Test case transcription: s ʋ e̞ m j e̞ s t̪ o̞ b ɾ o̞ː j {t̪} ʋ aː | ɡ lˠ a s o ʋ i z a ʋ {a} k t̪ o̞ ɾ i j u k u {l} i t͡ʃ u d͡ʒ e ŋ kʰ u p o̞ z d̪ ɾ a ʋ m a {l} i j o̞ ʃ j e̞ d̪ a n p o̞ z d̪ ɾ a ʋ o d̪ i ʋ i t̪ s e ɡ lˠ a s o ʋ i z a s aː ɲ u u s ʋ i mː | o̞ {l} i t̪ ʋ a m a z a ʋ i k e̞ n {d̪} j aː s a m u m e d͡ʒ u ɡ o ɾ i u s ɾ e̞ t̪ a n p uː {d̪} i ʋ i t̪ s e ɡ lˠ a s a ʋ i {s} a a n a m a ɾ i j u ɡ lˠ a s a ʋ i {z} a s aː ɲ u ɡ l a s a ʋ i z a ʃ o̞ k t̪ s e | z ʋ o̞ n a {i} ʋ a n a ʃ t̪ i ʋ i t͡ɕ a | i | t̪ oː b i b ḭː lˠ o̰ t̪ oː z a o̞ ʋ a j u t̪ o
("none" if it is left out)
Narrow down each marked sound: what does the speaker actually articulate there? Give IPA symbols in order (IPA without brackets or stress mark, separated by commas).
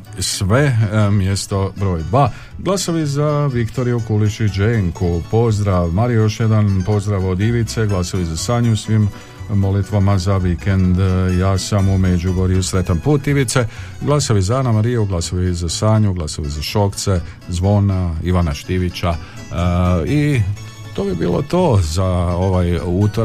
d̪, i, l, ɾ, l, d̪, t̪, z, z, i